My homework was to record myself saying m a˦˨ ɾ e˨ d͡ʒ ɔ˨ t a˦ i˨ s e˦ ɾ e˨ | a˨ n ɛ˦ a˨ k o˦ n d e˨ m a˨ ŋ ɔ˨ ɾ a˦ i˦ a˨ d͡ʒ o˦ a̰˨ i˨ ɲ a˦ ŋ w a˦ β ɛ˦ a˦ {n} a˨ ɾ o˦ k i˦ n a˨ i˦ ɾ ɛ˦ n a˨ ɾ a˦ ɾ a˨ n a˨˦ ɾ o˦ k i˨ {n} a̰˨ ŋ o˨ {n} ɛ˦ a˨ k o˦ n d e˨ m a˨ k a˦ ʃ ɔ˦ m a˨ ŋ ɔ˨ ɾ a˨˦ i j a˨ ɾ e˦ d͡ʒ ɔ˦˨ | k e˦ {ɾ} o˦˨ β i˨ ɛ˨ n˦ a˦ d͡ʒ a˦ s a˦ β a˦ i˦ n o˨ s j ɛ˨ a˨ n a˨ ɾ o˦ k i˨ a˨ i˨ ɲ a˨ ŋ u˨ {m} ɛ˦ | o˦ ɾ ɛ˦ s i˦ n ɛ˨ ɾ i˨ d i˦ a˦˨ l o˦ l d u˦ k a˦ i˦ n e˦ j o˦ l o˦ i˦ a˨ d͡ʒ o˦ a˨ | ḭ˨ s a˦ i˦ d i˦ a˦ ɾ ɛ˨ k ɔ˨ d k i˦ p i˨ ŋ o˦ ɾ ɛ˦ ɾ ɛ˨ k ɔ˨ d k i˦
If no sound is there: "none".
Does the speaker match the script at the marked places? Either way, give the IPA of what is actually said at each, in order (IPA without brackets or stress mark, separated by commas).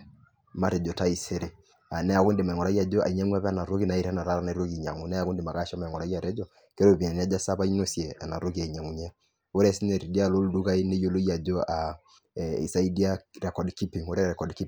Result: n, ɲ, n, ɾ, ɲ